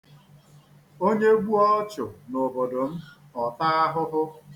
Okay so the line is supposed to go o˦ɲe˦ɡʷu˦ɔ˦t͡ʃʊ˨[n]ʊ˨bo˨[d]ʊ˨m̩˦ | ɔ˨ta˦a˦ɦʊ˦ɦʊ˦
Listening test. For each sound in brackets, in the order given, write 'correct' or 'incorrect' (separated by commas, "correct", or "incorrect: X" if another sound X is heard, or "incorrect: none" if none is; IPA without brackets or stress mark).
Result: correct, correct